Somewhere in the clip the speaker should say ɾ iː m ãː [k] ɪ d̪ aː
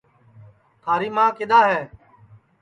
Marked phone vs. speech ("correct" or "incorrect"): correct